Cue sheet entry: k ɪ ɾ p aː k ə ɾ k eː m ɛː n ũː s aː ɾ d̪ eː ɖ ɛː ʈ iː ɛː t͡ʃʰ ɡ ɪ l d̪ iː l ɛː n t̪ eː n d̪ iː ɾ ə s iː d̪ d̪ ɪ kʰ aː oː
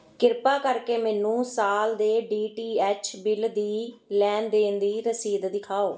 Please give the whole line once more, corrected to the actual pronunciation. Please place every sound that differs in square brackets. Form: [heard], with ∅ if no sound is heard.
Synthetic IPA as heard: k ɪ ɾ p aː k ə ɾ k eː m ɛː n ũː s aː [l] d̪ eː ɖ [iː] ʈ iː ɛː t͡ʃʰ [b] ɪ l d̪ iː l ɛː n [d̪] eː n d̪ iː ɾ ə s iː d̪ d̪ ɪ kʰ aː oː